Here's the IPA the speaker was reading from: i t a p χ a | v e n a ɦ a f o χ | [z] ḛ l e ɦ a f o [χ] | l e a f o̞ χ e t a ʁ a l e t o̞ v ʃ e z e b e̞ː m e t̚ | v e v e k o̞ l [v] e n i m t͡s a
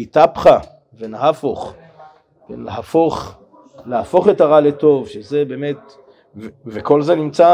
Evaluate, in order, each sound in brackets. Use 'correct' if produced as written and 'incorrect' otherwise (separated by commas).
incorrect, correct, incorrect